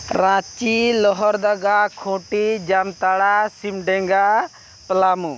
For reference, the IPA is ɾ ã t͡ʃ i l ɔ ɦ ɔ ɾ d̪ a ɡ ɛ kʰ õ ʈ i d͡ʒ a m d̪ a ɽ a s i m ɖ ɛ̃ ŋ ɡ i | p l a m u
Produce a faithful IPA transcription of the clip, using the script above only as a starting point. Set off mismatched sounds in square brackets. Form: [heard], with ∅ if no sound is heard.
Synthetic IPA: ɾ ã t͡ʃ i l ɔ ɦ ɔ ɾ d̪ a ɡ [a] kʰ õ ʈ i d͡ʒ a m [t̪] a ɽ a s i m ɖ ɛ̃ ŋ ɡ [a] | p l a m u